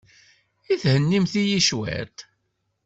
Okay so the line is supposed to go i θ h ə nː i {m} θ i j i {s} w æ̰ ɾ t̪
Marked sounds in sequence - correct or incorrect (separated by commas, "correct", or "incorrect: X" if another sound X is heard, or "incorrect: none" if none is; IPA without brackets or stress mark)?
correct, incorrect: ʃ